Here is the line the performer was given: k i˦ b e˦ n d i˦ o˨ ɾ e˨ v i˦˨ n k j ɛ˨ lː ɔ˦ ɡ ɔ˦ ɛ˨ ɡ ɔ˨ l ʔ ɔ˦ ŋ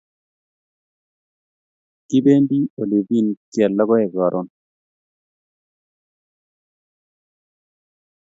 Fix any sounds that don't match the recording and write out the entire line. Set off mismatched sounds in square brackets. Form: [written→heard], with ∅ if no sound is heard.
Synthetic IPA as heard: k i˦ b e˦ n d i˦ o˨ [ɾ→l] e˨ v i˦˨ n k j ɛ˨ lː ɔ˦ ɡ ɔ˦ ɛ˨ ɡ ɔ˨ [l→ɾ] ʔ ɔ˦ [ŋ→n]